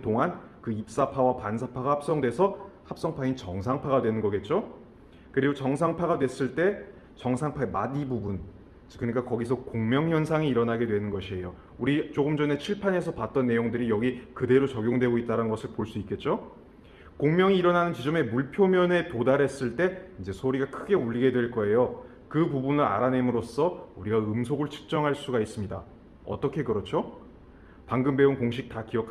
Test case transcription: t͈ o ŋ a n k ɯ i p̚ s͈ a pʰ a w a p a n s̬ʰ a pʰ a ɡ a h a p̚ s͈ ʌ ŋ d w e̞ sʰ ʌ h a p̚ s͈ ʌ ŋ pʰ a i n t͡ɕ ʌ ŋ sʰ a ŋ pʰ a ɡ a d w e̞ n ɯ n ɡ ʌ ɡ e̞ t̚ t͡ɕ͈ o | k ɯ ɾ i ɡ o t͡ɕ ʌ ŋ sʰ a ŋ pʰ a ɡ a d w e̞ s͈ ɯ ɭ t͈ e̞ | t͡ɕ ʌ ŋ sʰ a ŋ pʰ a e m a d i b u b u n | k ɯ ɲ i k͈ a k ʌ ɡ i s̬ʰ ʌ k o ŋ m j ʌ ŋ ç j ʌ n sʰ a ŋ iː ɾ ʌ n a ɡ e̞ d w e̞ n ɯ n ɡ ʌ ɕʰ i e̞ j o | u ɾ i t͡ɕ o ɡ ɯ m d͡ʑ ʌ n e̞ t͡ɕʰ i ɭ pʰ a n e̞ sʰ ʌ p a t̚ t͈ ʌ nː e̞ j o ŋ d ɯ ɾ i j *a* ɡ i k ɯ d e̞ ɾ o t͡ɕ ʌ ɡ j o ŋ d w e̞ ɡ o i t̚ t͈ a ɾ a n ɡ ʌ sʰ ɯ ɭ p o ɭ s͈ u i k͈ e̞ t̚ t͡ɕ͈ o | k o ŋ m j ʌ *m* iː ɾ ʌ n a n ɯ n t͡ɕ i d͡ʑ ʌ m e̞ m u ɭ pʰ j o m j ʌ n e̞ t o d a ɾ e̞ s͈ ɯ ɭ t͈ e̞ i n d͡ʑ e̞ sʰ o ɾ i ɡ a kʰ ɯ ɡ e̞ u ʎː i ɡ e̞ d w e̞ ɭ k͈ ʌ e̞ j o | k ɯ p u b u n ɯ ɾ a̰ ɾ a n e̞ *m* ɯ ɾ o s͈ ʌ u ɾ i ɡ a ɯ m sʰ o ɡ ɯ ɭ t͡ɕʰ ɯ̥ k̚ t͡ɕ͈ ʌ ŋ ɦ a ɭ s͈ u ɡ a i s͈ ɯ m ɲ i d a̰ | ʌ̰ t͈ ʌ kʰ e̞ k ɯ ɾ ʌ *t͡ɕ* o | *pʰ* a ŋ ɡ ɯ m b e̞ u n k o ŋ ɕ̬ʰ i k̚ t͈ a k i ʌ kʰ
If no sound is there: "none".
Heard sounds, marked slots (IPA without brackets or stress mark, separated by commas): ʌ, ŋ, m, t͡ɕʰ, p